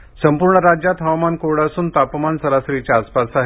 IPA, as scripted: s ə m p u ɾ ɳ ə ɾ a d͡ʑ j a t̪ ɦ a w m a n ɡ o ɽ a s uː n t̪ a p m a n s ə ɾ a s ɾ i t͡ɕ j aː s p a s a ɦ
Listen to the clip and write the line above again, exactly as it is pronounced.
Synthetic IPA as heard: s ə m p u ɾ ɳ ə ɾ a d͡ʑ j a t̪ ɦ a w m a n k o ɽ a s uː n t̪ a p m a n s ə ɾ a s ɾ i t͡ɕ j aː s p a s a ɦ